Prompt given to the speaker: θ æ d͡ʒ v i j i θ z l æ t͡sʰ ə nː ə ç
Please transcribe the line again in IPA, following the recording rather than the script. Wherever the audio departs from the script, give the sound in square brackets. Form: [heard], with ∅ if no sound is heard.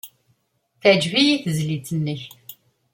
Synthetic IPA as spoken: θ æ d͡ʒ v i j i θ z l [i] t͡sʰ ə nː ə ç